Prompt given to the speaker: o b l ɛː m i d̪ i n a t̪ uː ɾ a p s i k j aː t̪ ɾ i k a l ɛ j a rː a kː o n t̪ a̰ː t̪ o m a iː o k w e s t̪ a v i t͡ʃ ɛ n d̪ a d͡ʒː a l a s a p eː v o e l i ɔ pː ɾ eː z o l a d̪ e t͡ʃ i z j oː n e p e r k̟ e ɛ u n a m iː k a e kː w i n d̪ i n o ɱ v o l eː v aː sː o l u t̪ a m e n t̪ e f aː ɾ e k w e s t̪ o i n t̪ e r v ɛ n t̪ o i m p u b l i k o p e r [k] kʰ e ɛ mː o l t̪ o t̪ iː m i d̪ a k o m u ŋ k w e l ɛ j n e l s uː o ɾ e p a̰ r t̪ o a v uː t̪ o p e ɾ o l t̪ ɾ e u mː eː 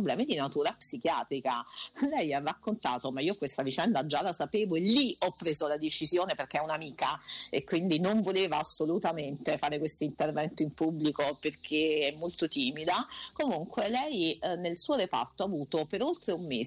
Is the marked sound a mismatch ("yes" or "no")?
no